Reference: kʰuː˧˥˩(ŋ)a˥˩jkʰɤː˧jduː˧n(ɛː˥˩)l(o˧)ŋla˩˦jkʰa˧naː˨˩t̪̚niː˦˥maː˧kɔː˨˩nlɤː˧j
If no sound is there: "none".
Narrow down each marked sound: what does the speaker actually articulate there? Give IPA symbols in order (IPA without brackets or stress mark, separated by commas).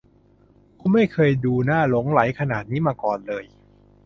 m, aː˥˩, o˩˦